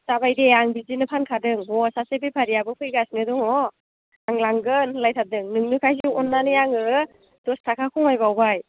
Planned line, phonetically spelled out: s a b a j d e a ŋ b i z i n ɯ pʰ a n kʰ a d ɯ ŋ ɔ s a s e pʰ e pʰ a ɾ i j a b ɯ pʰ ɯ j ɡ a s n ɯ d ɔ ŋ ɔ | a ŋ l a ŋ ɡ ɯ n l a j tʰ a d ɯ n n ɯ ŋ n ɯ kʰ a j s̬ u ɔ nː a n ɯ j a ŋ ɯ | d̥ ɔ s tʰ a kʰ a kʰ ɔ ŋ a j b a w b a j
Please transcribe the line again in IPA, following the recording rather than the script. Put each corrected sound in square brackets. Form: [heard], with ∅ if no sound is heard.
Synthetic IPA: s a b a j d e a ŋ b i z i n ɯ pʰ a n kʰ a d ɯ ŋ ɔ s a s e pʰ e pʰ a ɾ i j a b ɯ pʰ ɯ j ɡ a s n ɯ d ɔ ŋ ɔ | a ŋ l a ŋ ɡ ɯ n l a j tʰ a d ɯ [ŋ] n ɯ ŋ n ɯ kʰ a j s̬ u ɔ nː a n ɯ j a ŋ ɯ | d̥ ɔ s tʰ a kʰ a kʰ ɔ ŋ a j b a w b a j